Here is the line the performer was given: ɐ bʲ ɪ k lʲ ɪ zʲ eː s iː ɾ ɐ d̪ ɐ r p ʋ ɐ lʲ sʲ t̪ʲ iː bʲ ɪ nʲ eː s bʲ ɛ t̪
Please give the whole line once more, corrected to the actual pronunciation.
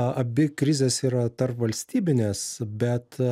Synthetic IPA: ɐ bʲ ɪ k ɾʲ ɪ zʲ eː s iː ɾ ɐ t̪ ɐ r p ʋ ɐ lʲ sʲ t̪ʲ iː bʲ ɪ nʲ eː s bʲ ɛ t̪